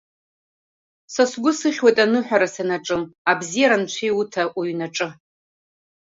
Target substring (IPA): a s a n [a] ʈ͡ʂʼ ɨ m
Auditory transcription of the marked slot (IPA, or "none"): a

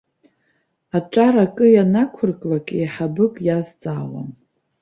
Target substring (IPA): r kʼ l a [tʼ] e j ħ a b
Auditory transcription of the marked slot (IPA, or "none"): kʼ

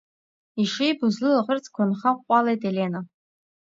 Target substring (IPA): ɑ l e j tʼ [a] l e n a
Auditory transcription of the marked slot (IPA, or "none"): e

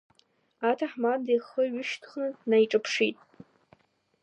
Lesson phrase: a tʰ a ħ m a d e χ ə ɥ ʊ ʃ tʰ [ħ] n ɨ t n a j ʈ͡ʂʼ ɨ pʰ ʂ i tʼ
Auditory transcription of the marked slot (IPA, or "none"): χ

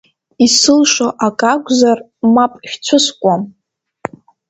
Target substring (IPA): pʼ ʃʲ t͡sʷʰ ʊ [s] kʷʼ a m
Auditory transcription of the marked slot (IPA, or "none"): s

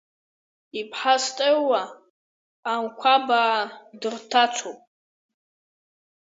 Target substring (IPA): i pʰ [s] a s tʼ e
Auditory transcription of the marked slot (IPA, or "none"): ħ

